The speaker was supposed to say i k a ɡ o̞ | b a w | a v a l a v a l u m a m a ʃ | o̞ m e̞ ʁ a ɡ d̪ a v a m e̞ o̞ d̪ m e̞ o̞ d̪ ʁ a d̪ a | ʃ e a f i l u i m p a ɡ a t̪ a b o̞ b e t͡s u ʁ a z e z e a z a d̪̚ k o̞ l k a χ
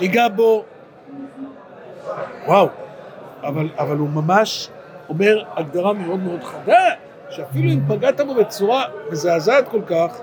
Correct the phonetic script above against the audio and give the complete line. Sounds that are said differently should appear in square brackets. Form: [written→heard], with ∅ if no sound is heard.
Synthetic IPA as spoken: i [k→ɡ] a [ɡ→b] o̞ | [b→w] a w | a v a l a v a l u m a m a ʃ | o̞ m e̞ ʁ a ɡ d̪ a [v→ʁ] a m e̞ o̞ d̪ m e̞ o̞ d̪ [ʁ→χ] a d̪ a | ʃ e a f i l u i m p a ɡ a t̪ a b o̞ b e t͡s u ʁ a [z→v] e z e a z a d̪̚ k o̞ l k a χ